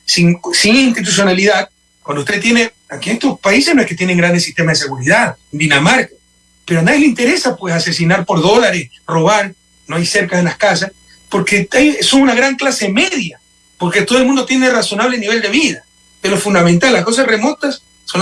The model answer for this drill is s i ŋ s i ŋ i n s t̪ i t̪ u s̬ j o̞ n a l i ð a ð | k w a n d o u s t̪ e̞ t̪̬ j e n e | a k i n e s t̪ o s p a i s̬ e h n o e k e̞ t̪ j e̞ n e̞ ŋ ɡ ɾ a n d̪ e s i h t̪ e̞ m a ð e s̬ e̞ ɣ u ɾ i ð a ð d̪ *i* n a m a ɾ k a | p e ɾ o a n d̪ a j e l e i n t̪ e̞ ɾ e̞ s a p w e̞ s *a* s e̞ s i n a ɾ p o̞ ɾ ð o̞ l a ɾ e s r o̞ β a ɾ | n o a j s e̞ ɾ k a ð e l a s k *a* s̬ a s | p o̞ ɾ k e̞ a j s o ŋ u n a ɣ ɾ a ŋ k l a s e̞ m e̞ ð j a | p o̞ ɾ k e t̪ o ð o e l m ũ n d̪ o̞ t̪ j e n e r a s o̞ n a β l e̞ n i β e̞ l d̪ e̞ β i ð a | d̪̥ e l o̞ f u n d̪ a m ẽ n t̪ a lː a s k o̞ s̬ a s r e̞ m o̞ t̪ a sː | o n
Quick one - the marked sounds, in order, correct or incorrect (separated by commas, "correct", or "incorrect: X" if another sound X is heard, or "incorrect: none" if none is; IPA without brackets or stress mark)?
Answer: correct, correct, correct